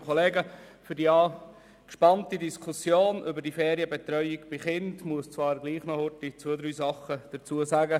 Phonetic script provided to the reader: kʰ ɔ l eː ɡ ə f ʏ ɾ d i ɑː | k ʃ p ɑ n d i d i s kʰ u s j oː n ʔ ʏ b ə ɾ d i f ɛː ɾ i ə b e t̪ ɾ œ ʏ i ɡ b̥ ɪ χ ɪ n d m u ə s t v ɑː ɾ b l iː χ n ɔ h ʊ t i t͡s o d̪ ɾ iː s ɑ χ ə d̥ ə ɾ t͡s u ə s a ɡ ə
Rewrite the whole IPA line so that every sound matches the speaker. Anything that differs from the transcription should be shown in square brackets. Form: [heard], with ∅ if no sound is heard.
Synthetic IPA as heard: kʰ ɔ l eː ɡ ə f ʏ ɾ d i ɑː | k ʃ p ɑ n [t] i d i s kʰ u s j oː n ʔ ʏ b ə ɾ d i f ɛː ɾ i ə b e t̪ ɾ œ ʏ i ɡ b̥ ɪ χ ɪ n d m u ə s [t͡s] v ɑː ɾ [ɡ] l iː χ n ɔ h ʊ t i t͡s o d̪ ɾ [yː] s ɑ χ ə d̥ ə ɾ t͡s u ə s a ɡ ə